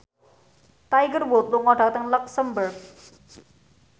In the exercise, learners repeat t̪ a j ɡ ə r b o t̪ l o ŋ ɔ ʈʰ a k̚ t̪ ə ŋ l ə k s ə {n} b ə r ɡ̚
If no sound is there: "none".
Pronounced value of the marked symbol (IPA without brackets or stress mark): m